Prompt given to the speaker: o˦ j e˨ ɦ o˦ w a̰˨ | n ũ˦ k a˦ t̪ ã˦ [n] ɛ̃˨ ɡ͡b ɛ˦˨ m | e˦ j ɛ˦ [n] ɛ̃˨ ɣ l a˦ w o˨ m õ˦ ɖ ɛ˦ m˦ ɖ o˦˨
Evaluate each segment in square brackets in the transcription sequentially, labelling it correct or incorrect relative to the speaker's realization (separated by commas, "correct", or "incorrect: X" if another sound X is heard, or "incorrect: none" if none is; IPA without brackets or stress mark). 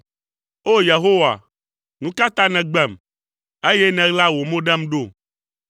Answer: correct, correct